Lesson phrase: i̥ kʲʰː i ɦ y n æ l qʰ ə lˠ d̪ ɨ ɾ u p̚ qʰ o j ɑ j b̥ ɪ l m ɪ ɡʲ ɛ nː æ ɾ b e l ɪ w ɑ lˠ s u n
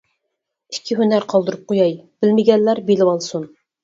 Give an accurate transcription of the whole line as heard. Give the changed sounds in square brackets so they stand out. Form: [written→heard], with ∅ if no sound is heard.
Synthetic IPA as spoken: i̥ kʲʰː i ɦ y n æ [l→ɾ] qʰ [ə→ɑ] lˠ d̪ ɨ ɾ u p̚ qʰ o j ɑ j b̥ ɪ l m ɪ ɡʲ ɛ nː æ ɾ b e l ɪ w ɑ lˠ s u n